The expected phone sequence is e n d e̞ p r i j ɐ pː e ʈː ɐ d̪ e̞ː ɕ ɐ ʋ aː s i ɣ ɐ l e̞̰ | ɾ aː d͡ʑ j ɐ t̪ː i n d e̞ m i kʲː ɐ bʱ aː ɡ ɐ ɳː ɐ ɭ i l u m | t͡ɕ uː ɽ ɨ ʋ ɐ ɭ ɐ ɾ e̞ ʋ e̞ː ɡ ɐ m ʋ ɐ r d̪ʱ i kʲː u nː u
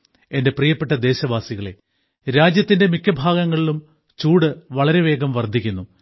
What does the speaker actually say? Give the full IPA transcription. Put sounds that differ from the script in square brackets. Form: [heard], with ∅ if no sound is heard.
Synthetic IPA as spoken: e n d e̞ p r i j ɐ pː e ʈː ɐ d̪ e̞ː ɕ ɐ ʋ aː s i ɣ ɐ [ɭ] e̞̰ | ɾ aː d͡ʑ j ɐ t̪ː i n d e̞ m i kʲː ɐ bʱ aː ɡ ɐ [ŋː] ɐ ɭ i l u m | t͡ɕ uː ɽ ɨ ʋ ɐ ɭ ɐ ɾ e̞ ʋ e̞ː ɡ ɐ m ʋ ɐ r d̪ʱ i kʲː u nː u